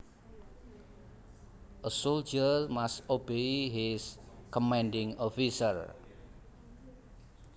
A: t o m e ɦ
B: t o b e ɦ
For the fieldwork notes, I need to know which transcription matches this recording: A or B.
B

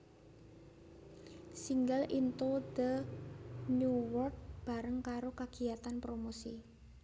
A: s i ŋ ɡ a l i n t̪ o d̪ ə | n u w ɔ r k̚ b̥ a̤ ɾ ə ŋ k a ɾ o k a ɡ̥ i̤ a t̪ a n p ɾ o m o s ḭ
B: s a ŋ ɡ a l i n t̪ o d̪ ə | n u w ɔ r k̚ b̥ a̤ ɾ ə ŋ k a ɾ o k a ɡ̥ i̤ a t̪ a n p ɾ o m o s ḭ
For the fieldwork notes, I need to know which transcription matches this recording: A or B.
A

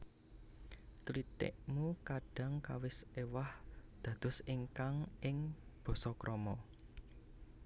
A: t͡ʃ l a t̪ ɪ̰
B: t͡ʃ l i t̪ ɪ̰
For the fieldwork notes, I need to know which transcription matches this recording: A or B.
B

